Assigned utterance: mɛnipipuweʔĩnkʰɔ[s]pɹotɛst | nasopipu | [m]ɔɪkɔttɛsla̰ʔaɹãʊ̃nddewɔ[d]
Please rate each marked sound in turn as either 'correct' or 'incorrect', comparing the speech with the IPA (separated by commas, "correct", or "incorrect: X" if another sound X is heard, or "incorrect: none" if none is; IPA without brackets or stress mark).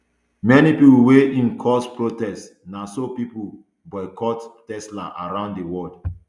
correct, incorrect: b, correct